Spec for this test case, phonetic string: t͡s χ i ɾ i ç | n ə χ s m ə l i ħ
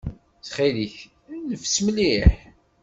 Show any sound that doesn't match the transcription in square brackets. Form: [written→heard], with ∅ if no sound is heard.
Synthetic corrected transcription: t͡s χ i [ɾ→l] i ç | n ə [χ→f] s m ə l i ħ